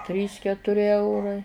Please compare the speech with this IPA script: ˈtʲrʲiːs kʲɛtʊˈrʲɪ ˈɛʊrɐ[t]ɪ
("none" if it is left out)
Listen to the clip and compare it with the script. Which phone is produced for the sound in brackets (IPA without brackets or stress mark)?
none